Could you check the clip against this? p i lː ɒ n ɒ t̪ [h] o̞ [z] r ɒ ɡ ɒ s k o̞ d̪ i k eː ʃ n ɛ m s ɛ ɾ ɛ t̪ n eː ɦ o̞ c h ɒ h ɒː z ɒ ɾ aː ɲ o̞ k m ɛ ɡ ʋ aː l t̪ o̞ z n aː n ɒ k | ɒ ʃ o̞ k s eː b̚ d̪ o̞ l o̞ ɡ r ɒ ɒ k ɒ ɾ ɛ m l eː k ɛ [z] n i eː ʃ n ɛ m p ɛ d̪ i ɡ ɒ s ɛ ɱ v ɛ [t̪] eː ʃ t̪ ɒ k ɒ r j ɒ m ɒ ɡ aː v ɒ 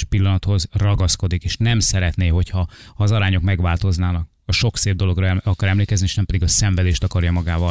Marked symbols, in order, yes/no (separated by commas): yes, yes, yes, no